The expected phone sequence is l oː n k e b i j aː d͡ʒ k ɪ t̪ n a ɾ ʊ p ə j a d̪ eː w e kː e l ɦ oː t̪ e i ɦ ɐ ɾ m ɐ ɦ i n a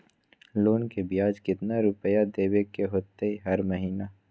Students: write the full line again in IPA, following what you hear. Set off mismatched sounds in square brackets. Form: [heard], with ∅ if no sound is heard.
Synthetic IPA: l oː n k e b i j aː d͡ʒ k ɪ t̪ n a ɾ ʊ p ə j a d̪ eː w e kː e [∅] ɦ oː t̪ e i ɦ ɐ ɾ m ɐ ɦ [iː] n a